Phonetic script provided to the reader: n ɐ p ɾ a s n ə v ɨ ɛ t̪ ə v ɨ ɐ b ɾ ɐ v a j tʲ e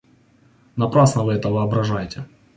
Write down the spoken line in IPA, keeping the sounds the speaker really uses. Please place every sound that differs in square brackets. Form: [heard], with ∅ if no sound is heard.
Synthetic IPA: n ɐ p ɾ a s n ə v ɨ ɛ t̪ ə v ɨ ɐ b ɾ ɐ [ʐ] a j tʲ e